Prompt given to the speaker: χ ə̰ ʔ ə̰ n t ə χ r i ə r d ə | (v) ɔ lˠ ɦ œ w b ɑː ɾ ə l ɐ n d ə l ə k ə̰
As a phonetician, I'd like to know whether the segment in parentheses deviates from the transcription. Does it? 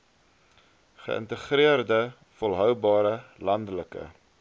yes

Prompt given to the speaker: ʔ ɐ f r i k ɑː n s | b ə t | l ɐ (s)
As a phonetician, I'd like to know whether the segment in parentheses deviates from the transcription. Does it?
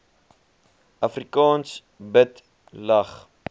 yes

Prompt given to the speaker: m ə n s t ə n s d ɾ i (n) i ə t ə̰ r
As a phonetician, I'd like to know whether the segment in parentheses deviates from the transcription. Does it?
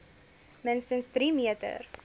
yes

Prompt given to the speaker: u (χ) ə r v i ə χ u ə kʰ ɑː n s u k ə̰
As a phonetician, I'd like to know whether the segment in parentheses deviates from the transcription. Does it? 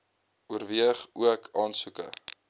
yes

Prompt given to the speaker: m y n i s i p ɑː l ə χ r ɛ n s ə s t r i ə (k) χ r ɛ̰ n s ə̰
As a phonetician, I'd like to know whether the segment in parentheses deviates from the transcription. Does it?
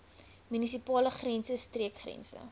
no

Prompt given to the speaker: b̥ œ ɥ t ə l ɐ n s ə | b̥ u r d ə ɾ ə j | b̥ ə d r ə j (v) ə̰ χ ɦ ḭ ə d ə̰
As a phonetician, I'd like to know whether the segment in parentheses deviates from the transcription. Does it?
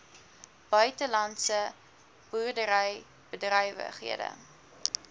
no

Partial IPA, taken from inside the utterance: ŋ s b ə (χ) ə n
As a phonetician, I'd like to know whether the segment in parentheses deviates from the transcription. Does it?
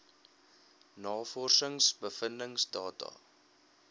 yes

